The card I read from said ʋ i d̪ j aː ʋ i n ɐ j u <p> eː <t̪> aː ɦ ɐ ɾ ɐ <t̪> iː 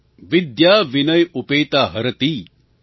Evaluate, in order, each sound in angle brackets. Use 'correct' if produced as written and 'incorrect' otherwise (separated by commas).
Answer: correct, correct, correct